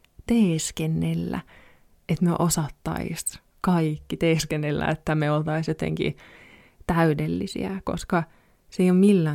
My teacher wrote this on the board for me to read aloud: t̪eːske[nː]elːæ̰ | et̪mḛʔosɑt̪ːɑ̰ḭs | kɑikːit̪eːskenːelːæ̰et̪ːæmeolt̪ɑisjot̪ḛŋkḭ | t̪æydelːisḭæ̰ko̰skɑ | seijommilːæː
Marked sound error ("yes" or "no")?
no